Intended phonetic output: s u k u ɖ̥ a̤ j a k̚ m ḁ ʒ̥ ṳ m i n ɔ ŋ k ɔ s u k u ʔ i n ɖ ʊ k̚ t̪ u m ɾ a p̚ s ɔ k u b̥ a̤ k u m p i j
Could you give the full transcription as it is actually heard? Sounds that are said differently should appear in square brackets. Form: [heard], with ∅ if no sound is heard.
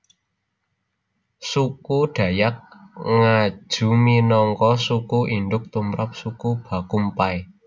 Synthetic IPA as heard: s u k u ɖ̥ a̤ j a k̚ [ŋ] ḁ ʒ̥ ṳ m i n ɔ ŋ k ɔ s u k u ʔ i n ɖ ʊ k̚ t̪ u m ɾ a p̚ s [u] k u b̥ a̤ k u m p [a] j